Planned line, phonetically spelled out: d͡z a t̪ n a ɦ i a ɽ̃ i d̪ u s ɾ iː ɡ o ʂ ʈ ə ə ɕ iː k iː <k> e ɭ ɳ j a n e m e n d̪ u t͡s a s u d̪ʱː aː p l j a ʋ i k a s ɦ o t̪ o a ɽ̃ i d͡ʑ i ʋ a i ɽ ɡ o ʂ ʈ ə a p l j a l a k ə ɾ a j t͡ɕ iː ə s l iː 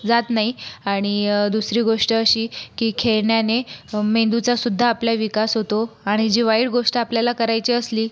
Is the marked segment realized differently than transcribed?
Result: yes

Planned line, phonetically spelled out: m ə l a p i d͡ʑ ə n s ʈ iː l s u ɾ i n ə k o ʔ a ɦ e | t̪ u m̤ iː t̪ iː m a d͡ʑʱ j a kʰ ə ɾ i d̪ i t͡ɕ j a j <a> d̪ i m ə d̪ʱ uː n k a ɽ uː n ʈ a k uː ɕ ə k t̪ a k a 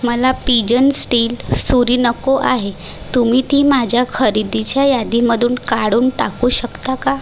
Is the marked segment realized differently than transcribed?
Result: no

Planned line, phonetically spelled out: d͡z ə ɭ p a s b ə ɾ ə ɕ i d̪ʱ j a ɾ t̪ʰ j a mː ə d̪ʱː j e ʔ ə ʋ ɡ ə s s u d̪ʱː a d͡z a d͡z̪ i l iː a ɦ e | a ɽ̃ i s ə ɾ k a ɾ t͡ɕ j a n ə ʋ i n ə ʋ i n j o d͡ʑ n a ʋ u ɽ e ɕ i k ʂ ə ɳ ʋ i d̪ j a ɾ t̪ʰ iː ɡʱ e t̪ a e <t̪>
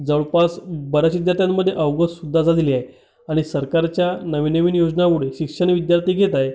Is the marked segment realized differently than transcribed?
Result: yes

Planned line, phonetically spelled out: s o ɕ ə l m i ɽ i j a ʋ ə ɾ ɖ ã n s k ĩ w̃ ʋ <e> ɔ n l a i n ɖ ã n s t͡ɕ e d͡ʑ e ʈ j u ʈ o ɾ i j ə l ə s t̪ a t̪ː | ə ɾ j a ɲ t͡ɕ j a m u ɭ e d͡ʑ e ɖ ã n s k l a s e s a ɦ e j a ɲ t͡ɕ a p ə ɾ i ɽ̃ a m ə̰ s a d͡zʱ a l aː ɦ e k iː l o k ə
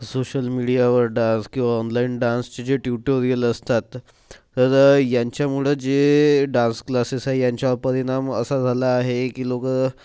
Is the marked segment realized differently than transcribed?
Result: yes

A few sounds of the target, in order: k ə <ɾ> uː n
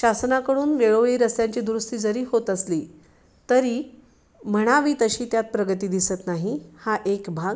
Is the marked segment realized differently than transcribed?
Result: yes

